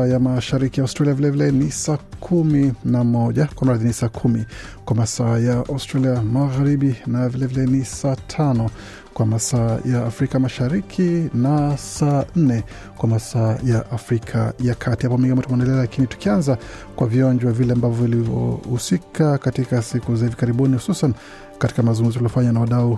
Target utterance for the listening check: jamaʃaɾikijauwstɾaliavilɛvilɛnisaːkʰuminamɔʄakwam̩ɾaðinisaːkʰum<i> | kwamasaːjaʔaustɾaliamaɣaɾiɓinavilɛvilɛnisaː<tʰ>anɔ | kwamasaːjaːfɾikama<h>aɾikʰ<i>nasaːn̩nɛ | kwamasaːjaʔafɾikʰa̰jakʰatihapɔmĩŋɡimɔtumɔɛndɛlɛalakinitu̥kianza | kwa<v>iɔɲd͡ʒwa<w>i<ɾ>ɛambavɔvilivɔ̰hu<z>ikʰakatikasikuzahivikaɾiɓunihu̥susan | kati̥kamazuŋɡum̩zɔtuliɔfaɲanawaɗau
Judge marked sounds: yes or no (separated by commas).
yes, yes, no, yes, yes, no, no, no